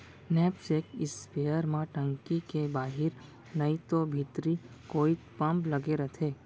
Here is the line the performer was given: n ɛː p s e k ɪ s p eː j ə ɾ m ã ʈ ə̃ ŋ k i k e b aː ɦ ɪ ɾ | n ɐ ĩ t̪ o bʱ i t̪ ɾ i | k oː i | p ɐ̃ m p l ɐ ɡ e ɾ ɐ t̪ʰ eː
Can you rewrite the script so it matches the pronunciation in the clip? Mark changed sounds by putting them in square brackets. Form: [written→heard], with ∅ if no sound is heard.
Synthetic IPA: n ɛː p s e k ɪ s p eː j ə ɾ m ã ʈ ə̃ ŋ k i k e b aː ɦ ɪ ɾ | n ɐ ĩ t̪ o bʱ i t̪ ɾ i | k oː i | p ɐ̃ m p l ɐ ɡ e ɾ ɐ t̪ʰ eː